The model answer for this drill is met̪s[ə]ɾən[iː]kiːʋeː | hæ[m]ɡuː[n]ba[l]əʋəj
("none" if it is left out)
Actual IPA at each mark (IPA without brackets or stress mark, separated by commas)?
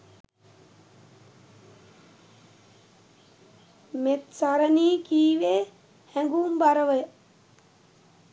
a, iː, ŋ, m, ɾ